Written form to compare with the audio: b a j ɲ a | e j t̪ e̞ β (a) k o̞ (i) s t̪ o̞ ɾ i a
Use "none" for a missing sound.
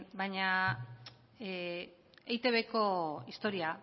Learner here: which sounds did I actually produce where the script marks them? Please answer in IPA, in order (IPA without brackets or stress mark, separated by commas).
e, i